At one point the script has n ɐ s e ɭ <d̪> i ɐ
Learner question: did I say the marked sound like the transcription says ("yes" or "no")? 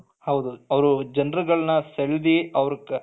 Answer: yes